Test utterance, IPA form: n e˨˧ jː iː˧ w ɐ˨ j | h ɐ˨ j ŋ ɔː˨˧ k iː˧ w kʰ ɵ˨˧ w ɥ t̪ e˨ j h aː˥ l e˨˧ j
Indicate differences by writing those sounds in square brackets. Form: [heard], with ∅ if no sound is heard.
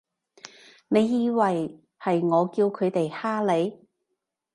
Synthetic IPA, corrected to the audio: n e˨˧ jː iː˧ w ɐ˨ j | h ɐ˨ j ŋ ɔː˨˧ k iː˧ w kʰ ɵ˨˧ [∅] ɥ t̪ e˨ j h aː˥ l e˨˧ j